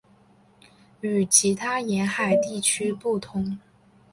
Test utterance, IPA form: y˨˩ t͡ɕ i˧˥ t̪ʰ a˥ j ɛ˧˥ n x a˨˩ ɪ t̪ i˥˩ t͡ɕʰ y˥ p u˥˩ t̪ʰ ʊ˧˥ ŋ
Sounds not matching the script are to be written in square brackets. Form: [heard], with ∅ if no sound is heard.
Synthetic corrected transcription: y˨˩ [t͡ɕʰ] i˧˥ t̪ʰ a˥ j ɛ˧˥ n x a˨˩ ɪ t̪ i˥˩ t͡ɕʰ y˥ p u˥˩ t̪ʰ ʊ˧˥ ŋ

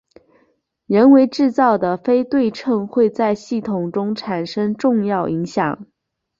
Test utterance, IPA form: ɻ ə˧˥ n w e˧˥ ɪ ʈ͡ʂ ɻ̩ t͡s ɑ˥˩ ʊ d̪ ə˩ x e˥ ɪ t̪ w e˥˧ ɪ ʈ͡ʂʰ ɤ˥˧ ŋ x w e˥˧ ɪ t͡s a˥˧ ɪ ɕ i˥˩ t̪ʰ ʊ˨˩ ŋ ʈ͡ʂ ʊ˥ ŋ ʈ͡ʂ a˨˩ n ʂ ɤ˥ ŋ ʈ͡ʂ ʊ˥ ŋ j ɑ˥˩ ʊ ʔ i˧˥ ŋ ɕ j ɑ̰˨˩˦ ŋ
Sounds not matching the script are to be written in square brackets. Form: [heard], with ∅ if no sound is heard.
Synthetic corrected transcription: ɻ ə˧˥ n w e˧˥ ɪ ʈ͡ʂ ɻ̩ t͡s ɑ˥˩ ʊ d̪ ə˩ [f] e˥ ɪ t̪ w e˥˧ ɪ ʈ͡ʂʰ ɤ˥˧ ŋ x w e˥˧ ɪ t͡s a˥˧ ɪ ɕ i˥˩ t̪ʰ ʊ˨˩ ŋ ʈ͡ʂ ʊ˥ ŋ [ʈ͡ʂʰ] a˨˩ n ʂ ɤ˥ ŋ ʈ͡ʂ [ʊ˥˧] ŋ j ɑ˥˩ ʊ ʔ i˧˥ ŋ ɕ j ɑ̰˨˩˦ ŋ

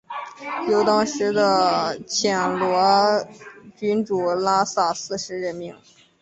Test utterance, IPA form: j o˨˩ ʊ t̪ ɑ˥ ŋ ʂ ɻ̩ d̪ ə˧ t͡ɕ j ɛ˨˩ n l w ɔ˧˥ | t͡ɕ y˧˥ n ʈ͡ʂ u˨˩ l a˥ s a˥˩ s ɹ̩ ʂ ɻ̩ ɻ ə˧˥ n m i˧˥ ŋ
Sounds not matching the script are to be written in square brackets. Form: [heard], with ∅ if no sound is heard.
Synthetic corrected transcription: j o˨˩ ʊ t̪ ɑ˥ ŋ ʂ ɻ̩ d̪ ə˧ [t͡ɕʰ] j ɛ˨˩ n l w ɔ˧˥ | t͡ɕ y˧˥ n ʈ͡ʂ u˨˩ l a˥ s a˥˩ s ɹ̩ ʂ ɻ̩ ɻ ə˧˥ n m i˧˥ ŋ

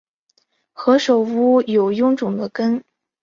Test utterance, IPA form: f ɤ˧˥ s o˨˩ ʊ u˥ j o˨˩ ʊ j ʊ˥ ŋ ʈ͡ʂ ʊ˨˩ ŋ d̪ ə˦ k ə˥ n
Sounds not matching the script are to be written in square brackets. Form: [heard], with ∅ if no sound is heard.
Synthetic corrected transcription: [x] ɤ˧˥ [ʂ] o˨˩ ʊ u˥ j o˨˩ ʊ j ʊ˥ ŋ ʈ͡ʂ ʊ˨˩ ŋ d̪ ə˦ k ə˥ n

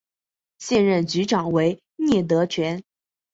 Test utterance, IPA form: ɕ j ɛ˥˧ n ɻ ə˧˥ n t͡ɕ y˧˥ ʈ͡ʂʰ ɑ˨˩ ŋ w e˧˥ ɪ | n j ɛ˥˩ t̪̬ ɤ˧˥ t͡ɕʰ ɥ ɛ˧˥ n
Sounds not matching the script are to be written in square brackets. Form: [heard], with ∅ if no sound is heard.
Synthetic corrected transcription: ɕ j ɛ˥˧ n ɻ [ə˥˩] n t͡ɕ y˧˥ [ʈ͡ʂ] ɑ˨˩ ŋ w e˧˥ ɪ | n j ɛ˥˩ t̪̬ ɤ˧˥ t͡ɕʰ ɥ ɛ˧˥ n

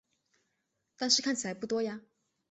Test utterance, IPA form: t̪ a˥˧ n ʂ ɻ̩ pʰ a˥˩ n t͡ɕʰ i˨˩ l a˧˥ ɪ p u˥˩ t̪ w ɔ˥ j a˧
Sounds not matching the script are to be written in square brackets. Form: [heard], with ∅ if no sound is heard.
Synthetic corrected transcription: t̪ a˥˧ n ʂ ɻ̩ [kʰ] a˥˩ n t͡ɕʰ i˨˩ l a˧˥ ɪ p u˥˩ t̪ w ɔ˥ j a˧

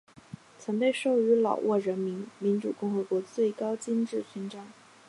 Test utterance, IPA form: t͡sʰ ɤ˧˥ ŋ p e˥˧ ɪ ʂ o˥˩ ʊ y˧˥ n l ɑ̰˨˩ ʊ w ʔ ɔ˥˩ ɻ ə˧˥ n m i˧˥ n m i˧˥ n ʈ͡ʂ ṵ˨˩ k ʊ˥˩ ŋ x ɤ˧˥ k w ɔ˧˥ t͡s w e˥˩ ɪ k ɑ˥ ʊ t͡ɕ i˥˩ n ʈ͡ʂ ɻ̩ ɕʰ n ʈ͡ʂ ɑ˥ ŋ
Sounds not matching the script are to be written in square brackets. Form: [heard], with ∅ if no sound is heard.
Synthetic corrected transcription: t͡sʰ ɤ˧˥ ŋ p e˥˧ ɪ ʂ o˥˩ ʊ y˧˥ [∅] l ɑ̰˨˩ ʊ w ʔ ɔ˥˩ ɻ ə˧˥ n m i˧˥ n m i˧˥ n ʈ͡ʂ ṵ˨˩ k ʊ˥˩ ŋ x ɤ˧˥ k w ɔ˧˥ t͡s w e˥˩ ɪ k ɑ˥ ʊ t͡ɕ [i˥] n ʈ͡ʂ ɻ̩ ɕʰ n ʈ͡ʂ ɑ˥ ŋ

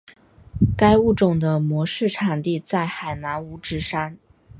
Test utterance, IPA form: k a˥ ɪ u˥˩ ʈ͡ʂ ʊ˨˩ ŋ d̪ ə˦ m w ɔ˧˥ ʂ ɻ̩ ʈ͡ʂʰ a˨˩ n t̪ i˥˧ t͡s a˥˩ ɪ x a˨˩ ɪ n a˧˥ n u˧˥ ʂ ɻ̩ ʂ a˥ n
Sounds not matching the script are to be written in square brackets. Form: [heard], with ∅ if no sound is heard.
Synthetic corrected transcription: k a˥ ɪ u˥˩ ʈ͡ʂ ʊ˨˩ ŋ d̪ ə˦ m w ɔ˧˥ ʂ ɻ̩ ʈ͡ʂʰ a˨˩ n t̪ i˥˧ t͡s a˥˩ ɪ x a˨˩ ɪ n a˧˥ n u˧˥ [ʈ͡ʂ] ɻ̩ ʂ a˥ n

